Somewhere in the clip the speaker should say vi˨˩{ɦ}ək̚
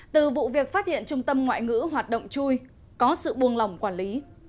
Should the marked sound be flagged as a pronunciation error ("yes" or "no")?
yes